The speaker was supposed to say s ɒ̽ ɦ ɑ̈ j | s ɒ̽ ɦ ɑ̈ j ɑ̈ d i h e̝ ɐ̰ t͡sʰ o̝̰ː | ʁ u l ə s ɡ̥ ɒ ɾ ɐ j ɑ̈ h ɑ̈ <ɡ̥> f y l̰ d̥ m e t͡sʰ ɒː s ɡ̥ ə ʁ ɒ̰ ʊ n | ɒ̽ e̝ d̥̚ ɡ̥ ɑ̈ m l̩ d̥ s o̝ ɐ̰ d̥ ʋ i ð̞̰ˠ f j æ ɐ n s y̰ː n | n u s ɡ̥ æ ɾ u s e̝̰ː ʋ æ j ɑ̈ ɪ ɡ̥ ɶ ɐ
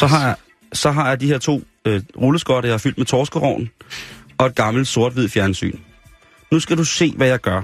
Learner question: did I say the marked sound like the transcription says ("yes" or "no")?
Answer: no